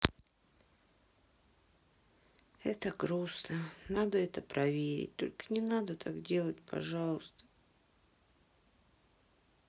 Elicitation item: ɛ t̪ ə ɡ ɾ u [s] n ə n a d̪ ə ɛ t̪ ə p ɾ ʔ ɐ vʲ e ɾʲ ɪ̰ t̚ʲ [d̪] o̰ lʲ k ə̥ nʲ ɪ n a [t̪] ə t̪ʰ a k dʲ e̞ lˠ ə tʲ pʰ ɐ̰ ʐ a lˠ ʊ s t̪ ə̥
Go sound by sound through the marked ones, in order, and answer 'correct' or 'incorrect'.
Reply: correct, incorrect: t̪, incorrect: d̪

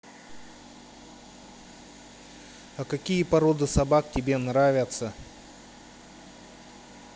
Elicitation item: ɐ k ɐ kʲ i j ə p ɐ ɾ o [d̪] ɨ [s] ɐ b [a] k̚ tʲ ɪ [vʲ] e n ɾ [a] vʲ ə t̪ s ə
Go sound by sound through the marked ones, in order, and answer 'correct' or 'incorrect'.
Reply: correct, correct, correct, incorrect: bʲ, correct

